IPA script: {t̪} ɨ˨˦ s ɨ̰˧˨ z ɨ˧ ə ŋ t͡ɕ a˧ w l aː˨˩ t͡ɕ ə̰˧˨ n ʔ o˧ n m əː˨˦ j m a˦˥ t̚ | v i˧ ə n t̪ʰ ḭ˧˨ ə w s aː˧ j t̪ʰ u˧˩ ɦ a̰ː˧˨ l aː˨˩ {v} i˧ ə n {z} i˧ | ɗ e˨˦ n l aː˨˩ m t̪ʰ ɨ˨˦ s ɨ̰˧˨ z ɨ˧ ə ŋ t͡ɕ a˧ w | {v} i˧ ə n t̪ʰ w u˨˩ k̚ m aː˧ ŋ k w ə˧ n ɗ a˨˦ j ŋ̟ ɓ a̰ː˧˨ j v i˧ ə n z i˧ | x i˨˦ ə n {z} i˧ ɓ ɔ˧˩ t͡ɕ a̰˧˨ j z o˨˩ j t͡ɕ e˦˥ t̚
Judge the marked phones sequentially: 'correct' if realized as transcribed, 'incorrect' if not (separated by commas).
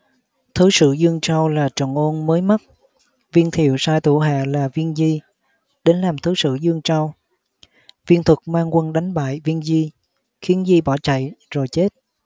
incorrect, correct, correct, correct, correct